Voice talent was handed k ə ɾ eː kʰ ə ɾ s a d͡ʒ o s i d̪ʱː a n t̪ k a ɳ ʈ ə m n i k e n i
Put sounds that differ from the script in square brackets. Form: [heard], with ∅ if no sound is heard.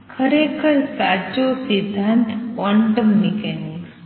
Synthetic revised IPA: [kʰ] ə ɾ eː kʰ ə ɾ s a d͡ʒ o s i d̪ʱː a n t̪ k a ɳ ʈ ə m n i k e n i